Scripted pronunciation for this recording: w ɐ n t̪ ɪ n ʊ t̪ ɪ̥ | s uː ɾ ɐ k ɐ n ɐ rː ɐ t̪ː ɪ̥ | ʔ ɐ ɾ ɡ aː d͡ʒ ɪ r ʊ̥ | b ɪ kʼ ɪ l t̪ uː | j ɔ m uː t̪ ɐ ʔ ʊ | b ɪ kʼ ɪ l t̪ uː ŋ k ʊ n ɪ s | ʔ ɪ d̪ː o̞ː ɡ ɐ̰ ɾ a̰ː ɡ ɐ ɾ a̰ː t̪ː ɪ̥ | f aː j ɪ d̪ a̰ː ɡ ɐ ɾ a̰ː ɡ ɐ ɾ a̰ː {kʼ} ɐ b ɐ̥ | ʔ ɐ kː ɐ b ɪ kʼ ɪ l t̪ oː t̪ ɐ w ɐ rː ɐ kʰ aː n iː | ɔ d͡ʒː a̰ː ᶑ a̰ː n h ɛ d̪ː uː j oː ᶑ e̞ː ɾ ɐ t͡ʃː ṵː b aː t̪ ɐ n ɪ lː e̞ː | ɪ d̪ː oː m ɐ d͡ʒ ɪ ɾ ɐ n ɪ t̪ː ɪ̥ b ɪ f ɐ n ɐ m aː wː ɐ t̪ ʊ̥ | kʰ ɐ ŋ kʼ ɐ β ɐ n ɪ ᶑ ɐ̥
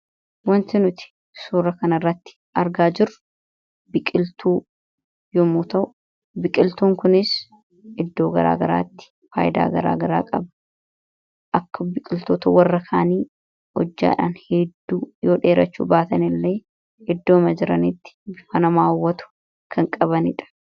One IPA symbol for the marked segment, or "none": kʼ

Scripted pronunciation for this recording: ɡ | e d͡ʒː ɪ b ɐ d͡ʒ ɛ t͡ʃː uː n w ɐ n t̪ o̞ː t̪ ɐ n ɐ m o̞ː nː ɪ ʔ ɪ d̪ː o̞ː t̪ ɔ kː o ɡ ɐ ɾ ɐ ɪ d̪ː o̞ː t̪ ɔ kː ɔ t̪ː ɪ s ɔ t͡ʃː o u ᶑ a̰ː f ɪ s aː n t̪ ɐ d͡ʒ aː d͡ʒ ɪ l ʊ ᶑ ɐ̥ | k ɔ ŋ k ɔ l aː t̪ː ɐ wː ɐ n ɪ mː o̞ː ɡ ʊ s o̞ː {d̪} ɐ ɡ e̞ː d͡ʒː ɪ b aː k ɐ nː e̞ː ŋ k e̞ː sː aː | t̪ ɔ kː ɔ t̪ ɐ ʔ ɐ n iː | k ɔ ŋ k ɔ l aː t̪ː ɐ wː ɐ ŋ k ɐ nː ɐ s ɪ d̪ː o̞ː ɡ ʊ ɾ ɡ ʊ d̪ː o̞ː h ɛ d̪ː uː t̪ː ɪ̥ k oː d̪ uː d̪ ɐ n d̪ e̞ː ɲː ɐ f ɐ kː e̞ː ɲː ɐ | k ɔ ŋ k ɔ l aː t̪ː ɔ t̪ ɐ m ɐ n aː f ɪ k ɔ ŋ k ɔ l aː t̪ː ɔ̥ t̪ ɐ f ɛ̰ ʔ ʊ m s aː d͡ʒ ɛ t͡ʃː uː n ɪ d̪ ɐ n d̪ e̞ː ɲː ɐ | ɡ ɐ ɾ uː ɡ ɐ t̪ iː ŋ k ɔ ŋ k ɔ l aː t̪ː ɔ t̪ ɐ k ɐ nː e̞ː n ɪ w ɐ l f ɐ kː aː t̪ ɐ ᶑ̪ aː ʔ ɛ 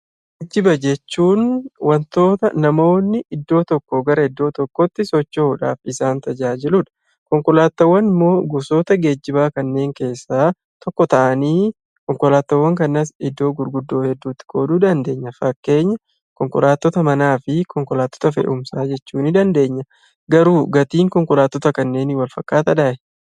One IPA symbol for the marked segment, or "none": t̪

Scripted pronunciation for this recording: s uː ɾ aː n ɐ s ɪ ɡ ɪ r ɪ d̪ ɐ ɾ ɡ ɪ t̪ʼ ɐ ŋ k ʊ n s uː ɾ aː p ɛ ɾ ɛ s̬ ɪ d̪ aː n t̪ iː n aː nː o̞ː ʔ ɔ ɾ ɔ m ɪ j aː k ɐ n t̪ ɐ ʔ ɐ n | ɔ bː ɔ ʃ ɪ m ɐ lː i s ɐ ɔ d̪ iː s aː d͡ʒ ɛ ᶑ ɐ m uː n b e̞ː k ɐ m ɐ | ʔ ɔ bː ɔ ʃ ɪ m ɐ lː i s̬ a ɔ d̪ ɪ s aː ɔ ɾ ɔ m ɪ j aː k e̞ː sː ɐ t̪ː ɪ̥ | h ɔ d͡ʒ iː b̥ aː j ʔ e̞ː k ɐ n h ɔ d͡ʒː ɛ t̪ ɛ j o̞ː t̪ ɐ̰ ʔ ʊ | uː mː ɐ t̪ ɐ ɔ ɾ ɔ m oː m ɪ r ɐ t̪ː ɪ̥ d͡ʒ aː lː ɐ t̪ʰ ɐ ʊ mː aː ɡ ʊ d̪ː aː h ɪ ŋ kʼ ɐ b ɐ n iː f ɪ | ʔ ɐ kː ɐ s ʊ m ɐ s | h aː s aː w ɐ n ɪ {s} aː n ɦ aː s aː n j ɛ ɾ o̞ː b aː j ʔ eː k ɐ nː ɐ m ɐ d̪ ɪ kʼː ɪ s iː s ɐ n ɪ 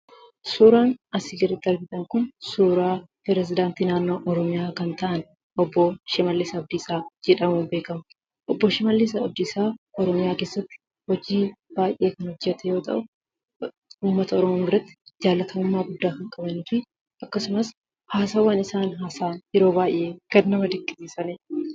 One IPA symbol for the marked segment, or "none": s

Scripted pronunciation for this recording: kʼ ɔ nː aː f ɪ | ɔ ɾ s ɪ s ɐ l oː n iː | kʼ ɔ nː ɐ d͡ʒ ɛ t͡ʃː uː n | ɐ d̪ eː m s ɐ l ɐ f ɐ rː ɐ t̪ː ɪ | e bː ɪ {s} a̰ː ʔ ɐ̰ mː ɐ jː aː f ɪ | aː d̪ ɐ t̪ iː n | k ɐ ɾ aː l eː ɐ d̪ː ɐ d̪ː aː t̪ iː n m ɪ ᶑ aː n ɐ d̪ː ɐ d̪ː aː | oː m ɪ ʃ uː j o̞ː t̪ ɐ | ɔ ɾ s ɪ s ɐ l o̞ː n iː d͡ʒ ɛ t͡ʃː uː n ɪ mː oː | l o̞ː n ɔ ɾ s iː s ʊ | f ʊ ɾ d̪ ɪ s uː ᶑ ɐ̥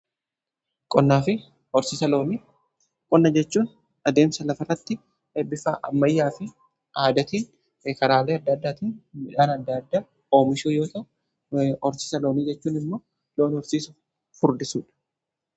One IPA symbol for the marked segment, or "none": f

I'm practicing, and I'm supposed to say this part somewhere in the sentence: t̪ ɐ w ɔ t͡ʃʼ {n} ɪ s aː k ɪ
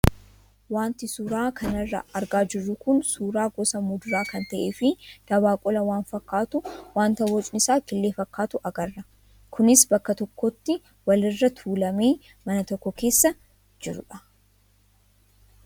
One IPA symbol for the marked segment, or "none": n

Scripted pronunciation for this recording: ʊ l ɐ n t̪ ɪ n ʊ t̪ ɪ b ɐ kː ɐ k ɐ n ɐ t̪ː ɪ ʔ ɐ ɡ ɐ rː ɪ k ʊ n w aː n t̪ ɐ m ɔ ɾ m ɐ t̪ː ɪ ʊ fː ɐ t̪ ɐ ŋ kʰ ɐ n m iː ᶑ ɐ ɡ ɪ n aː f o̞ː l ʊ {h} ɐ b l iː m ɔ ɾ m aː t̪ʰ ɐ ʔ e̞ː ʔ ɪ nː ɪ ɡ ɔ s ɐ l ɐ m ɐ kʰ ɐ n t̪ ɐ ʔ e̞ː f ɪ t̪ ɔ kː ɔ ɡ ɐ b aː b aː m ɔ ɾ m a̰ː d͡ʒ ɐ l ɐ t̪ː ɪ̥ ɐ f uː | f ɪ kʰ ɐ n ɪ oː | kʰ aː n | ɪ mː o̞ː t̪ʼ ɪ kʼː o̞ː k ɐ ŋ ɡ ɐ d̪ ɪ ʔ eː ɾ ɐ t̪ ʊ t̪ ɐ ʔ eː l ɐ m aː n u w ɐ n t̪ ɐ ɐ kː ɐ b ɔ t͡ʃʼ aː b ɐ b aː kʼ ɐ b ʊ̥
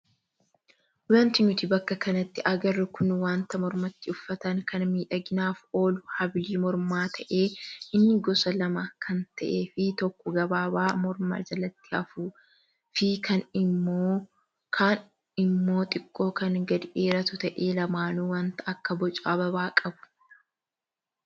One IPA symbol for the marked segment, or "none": h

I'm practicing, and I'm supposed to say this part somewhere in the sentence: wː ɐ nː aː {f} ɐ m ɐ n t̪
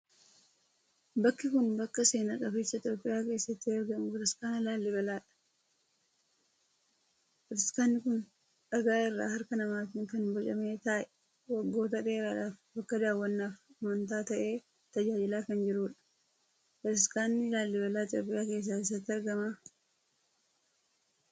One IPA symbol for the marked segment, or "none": f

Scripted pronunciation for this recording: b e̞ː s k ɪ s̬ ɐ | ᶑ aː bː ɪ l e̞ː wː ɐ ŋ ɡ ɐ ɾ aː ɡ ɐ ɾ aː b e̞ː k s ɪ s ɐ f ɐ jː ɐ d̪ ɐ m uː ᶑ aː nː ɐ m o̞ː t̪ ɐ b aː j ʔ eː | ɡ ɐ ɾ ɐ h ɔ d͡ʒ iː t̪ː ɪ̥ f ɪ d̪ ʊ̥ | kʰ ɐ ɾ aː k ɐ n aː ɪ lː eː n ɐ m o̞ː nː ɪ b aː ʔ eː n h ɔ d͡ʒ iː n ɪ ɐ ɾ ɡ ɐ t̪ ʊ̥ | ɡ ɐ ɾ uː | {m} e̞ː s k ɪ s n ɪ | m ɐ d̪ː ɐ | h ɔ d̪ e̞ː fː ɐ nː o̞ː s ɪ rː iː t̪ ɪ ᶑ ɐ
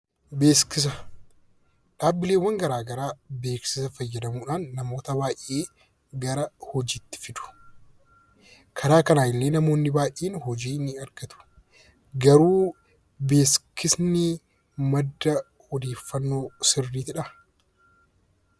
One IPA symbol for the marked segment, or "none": b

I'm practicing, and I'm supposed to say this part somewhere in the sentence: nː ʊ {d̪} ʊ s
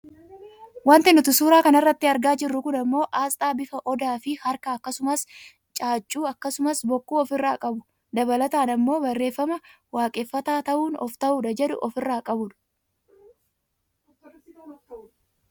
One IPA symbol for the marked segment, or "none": t̪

